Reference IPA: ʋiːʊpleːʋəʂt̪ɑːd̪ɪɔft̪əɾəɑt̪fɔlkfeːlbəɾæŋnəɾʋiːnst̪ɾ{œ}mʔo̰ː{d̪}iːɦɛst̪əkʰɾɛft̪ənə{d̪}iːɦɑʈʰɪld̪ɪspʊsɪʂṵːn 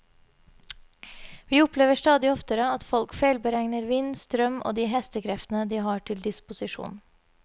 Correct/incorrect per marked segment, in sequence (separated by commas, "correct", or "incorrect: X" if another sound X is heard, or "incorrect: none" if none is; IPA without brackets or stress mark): correct, correct, correct